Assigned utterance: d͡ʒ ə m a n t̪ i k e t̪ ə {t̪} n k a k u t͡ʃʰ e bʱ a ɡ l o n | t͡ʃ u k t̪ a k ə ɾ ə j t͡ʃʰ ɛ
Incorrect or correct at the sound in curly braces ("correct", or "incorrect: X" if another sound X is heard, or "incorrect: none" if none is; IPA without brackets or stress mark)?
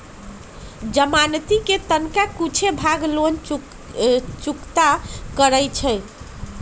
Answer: incorrect: none